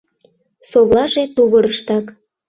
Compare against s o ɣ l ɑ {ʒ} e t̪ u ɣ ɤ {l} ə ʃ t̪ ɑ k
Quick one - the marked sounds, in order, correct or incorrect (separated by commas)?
correct, incorrect